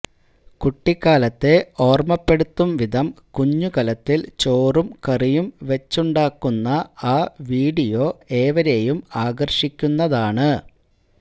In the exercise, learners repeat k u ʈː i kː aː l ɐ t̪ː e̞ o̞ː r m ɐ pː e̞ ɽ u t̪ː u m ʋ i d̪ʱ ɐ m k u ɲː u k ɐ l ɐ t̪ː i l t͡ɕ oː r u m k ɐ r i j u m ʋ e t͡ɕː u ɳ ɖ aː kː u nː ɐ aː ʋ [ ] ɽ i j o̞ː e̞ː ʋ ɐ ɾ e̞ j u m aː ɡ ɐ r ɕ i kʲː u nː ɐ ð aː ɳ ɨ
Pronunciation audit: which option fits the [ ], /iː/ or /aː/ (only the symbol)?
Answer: iː